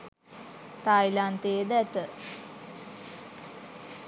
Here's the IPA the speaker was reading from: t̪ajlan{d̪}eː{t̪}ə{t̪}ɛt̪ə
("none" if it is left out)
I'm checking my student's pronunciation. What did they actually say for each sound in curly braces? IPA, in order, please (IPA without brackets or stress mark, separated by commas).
t̪, d̪, none